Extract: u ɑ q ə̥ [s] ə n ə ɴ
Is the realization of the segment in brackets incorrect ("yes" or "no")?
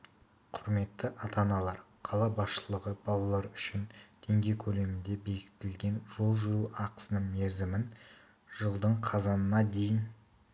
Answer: no